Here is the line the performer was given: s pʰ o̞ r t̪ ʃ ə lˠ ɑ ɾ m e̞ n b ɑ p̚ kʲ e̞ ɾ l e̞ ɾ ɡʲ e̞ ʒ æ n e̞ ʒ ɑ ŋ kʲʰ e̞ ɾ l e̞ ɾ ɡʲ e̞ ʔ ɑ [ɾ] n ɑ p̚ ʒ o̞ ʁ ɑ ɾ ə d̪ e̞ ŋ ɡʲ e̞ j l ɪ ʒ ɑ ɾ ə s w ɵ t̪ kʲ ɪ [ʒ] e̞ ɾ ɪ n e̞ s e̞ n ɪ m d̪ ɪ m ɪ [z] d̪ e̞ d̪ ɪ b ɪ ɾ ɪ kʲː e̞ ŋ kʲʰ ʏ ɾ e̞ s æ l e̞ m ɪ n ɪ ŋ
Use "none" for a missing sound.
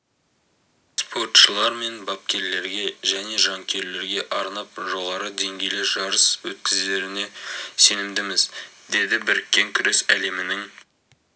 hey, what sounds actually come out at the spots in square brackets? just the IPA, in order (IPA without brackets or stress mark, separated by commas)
ɾ, z, z